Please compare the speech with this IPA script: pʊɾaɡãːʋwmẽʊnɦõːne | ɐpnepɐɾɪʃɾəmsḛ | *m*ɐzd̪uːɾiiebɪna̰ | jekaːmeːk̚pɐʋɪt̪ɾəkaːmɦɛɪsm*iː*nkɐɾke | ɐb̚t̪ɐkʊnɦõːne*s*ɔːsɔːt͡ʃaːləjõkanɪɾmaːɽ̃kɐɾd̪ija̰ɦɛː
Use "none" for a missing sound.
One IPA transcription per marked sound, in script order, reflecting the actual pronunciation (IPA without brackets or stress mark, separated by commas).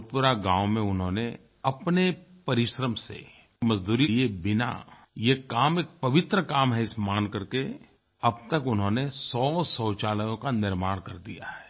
m, aː, s